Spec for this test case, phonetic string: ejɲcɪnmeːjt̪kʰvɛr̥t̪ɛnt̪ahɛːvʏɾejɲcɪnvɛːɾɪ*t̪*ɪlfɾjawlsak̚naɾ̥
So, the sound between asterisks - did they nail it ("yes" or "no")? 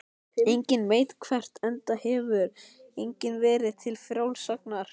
no